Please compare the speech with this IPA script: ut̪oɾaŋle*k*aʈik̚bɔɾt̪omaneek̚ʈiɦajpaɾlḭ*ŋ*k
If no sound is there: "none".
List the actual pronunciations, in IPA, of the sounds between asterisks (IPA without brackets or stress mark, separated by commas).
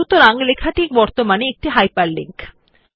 kʰ, ŋ